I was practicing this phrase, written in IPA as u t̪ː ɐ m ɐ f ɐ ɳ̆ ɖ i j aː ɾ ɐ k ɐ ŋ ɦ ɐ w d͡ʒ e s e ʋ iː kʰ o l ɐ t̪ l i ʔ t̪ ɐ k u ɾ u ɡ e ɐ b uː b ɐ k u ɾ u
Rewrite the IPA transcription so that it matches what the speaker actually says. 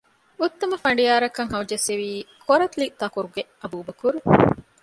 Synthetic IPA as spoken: u t̪ː ɐ m ɐ f ɐ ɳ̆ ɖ i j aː ɾ ɐ k ɐ ŋ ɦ ɐ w d͡ʒ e s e ʋ iː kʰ o ɾ ɐ t̪ l i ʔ t̪ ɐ k u ɾ u ɡ e ɐ b uː b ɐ k u ɾ u